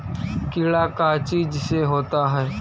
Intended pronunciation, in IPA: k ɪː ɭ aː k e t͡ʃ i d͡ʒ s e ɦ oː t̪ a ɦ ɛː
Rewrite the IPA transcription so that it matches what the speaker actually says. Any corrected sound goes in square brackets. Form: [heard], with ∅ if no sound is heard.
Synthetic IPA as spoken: k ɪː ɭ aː k [a] t͡ʃ [iː] d͡ʒ s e ɦ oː t̪ a ɦ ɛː